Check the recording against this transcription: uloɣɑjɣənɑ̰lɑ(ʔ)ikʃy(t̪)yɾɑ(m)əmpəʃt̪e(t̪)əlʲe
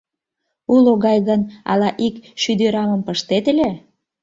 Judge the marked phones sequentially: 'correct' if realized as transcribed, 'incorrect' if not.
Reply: correct, incorrect: d̪, correct, correct

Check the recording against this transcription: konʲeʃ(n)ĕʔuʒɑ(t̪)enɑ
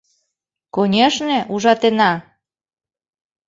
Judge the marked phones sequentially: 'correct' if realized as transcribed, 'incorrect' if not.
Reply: correct, correct

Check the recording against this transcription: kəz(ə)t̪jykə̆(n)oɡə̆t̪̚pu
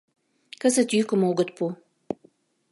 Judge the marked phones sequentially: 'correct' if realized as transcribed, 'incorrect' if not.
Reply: correct, incorrect: m

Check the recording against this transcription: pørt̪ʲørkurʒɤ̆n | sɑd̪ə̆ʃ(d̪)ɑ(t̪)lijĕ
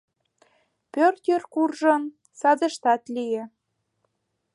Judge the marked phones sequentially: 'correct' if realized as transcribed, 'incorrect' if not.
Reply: incorrect: t̪, correct

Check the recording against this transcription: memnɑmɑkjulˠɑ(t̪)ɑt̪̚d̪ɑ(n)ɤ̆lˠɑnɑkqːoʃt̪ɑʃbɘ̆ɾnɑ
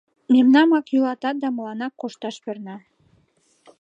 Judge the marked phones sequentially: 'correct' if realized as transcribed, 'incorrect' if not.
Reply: correct, incorrect: m

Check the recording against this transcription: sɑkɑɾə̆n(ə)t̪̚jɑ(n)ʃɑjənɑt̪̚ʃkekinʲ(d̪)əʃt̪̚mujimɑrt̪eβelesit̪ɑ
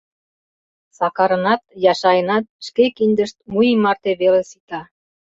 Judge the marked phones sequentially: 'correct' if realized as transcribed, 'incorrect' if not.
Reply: incorrect: ɑ, incorrect: none, correct

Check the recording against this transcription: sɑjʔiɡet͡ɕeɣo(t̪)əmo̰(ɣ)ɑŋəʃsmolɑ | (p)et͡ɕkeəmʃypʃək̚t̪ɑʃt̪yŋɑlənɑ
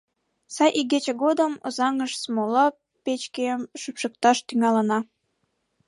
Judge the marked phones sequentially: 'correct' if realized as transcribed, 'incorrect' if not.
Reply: incorrect: d̪, incorrect: z, correct

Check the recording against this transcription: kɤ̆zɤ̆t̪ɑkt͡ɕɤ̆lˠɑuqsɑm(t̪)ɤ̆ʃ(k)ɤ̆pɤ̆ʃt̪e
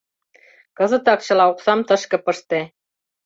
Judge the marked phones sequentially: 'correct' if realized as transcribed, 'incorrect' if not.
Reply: correct, correct

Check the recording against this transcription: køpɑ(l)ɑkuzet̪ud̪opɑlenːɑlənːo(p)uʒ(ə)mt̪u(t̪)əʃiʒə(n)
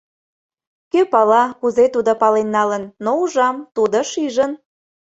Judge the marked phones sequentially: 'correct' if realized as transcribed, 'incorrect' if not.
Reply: correct, incorrect: none, incorrect: ɑ, incorrect: d̪, correct

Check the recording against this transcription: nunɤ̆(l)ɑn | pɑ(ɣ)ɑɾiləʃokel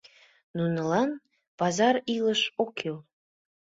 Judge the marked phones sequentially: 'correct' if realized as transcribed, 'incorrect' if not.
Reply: correct, incorrect: z

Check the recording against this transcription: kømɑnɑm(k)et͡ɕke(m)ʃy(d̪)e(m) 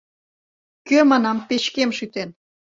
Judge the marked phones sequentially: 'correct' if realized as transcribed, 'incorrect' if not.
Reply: incorrect: p, correct, incorrect: t̪, incorrect: n

